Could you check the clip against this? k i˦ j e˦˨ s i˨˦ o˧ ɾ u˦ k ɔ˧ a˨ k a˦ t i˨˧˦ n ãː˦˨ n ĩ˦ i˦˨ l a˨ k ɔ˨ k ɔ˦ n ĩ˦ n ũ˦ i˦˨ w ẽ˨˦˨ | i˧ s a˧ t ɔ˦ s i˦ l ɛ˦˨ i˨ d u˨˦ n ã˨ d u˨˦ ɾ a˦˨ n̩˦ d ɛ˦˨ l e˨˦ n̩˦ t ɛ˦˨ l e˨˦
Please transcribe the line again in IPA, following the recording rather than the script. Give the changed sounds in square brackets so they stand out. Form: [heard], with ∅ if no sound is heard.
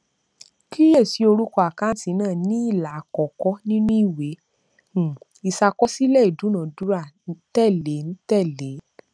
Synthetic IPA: k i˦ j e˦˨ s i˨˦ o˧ ɾ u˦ k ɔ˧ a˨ k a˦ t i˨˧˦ n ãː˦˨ n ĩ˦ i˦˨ l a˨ k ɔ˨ k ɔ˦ n ĩ˦ n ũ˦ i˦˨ w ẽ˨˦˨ | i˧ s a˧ [k] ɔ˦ s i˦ l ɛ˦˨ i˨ d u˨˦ n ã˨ d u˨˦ ɾ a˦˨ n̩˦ [t] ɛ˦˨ l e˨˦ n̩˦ t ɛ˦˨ l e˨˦